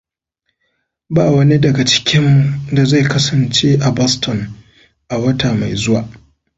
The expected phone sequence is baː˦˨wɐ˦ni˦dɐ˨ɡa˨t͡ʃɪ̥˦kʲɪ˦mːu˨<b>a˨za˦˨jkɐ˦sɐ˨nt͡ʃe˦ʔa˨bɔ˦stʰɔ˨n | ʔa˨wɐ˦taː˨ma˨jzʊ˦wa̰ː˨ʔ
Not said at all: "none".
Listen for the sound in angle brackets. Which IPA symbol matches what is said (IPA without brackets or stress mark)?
d